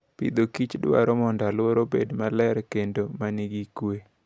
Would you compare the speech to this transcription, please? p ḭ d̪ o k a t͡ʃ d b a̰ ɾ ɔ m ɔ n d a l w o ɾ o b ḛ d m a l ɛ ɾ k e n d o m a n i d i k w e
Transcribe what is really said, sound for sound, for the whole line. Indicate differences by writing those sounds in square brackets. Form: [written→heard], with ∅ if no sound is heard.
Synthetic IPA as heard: p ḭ d̪ o k [a→i] t͡ʃ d [b→w] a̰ ɾ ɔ m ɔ n d a l w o ɾ o b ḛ d m a l ɛ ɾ k e n d o m a n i [d→ɡ] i k w e